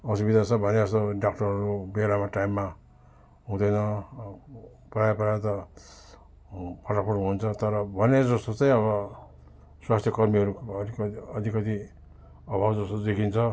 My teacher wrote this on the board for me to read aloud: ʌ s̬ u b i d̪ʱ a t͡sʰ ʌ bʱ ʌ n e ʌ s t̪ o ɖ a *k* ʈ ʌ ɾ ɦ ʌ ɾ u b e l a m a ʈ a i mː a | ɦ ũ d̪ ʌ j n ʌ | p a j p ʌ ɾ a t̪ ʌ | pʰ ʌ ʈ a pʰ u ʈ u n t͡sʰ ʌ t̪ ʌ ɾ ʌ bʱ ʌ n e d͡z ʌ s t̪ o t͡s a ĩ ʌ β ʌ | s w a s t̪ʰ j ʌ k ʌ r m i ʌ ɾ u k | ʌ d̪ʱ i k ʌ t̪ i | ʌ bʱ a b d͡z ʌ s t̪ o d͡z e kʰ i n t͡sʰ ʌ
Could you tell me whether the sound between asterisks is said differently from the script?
no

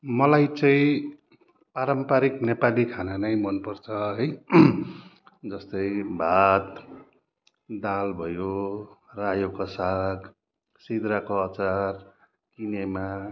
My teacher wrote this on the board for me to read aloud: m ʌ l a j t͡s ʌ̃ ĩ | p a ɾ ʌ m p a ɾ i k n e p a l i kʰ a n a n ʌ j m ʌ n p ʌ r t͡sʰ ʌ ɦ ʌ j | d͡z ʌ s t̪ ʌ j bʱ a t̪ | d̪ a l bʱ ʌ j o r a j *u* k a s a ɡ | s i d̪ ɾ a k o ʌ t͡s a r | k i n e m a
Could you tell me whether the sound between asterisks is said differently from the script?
yes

